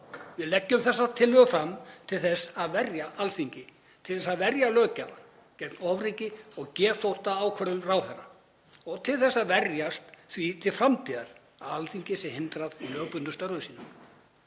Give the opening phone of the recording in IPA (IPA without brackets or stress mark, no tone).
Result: v